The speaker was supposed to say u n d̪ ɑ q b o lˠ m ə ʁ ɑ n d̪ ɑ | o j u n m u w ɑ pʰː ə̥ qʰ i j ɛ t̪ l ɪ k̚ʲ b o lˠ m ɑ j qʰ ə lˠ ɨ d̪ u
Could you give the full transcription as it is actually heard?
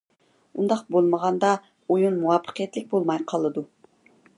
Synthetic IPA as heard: u n d̪ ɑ q b o lˠ m ə ʁ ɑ n d̪ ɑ | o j u n m u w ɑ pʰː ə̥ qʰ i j ɛ t̪ l ɪ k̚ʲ b o lˠ m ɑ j qʰ ɑ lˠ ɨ d̪ u